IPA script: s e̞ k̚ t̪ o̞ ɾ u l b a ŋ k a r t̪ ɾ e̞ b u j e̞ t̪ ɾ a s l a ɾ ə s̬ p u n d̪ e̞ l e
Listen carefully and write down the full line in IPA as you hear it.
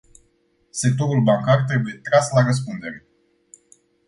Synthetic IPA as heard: s e̞ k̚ t̪ o̞ ɾ u l b a ŋ k a r t̪ ɾ e̞ b u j e̞ t̪ ɾ a s l a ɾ ə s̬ p u n d̪ e̞ ɾ e